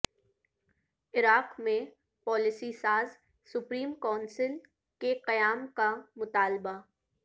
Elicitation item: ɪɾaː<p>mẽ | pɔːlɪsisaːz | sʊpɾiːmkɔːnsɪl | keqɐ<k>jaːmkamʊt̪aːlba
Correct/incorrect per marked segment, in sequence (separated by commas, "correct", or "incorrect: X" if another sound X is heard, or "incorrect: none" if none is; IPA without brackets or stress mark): incorrect: q, incorrect: none